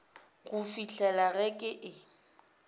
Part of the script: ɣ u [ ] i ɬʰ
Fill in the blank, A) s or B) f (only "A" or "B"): B